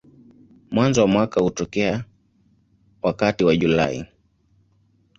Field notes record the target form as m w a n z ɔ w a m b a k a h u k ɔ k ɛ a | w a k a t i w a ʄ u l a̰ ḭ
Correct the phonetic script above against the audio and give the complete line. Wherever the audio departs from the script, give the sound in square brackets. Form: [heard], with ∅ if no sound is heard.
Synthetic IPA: m w a n z ɔ w a m [w] a k a h u [t] ɔ k ɛ a | w a k a t i w a ʄ u l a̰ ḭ